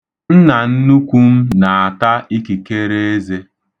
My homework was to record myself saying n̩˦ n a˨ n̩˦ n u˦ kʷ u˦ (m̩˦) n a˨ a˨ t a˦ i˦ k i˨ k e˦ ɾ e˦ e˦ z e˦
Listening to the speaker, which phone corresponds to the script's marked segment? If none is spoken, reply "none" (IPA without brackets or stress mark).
m̩˦